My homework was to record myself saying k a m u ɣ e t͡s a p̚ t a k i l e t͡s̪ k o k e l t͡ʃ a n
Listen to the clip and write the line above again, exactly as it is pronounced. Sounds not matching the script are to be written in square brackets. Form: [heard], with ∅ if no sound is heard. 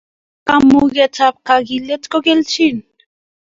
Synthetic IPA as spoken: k a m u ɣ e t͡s a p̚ [k] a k i l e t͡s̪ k o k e l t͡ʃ [i] n

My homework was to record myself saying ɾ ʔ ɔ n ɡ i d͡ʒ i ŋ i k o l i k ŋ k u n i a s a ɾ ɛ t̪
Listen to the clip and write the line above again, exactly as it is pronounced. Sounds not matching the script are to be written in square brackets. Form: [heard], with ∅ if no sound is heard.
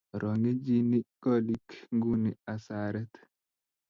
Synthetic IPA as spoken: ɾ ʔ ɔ [ŋ] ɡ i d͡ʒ i [n] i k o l i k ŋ [ɡ] u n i a s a ɾ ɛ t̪

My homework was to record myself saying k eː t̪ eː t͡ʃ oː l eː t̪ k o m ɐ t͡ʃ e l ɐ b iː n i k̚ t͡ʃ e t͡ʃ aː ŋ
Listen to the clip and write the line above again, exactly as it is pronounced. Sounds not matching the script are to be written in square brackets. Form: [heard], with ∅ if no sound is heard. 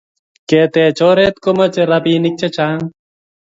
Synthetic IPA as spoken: k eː t̪ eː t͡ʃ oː [ɾ] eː t̪ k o m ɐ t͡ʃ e [ɾ] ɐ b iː n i k̚ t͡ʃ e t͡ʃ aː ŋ

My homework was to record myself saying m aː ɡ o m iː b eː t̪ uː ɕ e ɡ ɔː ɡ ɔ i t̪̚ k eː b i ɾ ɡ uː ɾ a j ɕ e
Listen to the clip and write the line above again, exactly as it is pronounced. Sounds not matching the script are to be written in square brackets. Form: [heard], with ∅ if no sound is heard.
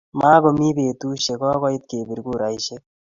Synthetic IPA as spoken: m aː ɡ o m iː b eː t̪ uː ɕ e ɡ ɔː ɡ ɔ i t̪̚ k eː b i ɾ ɡ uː ɾ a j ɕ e

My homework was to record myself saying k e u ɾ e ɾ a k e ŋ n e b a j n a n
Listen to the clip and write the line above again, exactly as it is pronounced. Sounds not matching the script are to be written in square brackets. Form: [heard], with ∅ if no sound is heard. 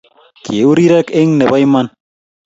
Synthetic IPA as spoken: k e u ɾ [i] ɾ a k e ŋ n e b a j [m] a n

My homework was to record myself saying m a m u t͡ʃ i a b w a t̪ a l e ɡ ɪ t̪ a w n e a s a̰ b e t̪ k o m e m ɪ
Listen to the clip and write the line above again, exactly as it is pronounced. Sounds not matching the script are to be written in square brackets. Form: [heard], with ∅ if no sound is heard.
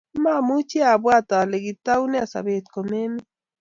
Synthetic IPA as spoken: m a m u t͡ʃ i a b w a t̪ a l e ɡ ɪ t̪ a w n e a s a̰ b e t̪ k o m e m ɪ

